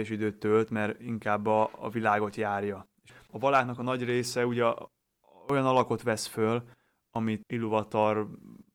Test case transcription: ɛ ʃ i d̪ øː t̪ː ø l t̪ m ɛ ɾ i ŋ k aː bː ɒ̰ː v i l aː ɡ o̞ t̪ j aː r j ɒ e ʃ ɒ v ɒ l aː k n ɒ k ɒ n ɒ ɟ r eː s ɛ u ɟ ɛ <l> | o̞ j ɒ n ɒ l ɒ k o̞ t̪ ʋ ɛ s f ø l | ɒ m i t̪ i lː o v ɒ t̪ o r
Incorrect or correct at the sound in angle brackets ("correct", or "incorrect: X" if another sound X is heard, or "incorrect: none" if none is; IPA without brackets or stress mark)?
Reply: incorrect: none